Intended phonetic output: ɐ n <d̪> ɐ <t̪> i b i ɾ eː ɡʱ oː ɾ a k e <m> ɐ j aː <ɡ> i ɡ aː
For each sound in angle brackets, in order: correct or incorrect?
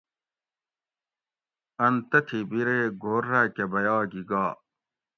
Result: incorrect, incorrect, incorrect, correct

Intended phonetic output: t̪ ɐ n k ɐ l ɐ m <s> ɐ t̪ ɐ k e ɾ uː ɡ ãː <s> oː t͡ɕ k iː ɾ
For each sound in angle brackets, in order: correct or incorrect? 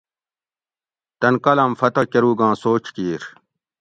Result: incorrect, correct

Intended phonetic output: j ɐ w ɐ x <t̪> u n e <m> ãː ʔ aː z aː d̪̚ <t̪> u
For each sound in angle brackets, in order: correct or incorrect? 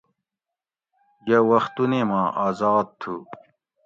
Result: correct, correct, incorrect

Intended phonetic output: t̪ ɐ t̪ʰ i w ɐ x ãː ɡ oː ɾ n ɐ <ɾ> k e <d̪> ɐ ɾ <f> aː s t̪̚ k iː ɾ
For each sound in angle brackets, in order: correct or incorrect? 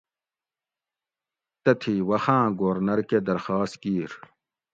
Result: correct, correct, incorrect

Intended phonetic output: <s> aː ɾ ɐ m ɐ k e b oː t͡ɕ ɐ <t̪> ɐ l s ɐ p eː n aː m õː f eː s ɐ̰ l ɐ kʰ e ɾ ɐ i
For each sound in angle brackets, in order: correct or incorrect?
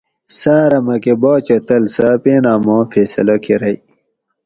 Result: correct, correct

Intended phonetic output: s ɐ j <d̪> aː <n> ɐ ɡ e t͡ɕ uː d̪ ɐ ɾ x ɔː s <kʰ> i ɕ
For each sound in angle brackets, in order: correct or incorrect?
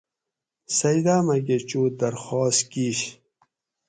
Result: correct, incorrect, incorrect

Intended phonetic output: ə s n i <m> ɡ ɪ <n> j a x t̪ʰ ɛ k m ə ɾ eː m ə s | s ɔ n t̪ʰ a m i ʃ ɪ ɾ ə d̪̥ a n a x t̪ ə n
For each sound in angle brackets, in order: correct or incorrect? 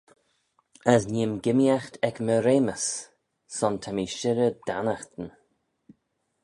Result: correct, incorrect

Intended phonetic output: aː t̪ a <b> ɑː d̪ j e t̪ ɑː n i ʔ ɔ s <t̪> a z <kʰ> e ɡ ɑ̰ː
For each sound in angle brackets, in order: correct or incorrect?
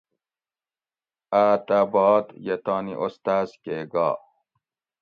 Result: correct, correct, incorrect

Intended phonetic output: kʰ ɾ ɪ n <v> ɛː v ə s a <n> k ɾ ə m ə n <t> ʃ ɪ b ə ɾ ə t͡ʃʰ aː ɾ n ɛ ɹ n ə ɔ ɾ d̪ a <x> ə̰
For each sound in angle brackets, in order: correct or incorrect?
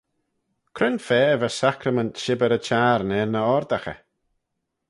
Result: incorrect, incorrect, correct, correct

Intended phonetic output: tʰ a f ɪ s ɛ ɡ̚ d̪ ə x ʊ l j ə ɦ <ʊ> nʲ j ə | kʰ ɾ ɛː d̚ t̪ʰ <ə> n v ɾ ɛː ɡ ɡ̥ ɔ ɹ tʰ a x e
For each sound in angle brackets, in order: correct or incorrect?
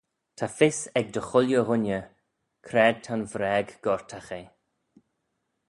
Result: correct, incorrect

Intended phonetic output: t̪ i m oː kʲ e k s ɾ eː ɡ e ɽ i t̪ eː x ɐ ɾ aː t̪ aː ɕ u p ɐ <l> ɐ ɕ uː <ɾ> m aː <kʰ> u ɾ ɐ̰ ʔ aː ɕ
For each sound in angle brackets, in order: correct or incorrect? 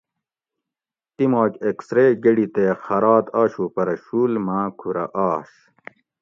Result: incorrect, incorrect, correct

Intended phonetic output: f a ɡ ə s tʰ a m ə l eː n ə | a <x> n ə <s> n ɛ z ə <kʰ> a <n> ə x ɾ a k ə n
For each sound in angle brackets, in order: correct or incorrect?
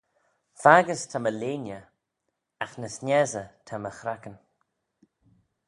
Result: correct, correct, incorrect, incorrect

